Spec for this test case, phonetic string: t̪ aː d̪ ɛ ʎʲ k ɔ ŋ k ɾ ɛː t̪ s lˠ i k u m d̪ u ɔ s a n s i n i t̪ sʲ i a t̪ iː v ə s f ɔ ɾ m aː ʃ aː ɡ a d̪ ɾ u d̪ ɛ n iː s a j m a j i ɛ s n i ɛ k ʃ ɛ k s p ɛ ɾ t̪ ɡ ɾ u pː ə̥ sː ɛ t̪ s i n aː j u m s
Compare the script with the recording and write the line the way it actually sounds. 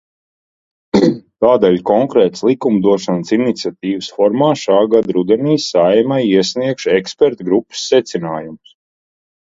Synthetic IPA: t̪ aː d̪ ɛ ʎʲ k ɔ ŋ k ɾ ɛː t̪ s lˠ i k u m d̪ u ɔ ʃ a n s i n i t̪ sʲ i a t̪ iː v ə s f ɔ ɾ m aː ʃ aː ɡ a d̪ ɾ u d̪ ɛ n iː s a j m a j i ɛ s n i ɛ k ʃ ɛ k s p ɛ ɾ t̪ ɡ ɾ u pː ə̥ sː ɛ t̪ s i n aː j u m s